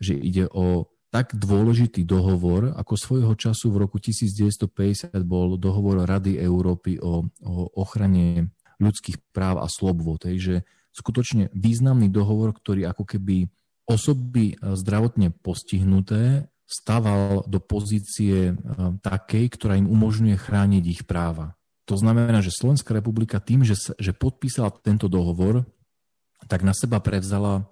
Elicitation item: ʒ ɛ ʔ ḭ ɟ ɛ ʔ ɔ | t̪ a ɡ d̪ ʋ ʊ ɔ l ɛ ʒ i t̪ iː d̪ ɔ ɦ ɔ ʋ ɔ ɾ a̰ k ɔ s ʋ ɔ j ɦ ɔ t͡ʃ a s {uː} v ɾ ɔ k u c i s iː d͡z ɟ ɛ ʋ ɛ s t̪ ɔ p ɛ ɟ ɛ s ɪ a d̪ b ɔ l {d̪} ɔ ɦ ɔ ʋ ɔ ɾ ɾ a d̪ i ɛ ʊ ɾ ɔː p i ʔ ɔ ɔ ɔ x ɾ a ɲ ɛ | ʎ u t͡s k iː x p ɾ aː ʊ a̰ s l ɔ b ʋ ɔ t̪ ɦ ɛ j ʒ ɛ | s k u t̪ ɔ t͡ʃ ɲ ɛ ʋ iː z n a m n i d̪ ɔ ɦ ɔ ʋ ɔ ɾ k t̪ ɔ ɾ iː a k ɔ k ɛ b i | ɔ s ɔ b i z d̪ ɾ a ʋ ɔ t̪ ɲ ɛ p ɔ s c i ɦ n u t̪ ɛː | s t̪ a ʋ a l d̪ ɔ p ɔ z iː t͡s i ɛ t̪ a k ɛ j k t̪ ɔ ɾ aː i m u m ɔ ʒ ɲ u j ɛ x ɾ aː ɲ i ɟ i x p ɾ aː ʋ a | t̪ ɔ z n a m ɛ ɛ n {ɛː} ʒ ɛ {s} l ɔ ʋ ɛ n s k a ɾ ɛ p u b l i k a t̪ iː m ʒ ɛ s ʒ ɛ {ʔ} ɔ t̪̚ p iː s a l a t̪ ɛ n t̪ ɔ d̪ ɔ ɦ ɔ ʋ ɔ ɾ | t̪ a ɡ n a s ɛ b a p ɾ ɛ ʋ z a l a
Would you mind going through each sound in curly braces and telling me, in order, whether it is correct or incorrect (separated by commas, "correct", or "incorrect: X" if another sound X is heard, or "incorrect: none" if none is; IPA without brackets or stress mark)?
incorrect: u, correct, incorrect: aː, correct, incorrect: p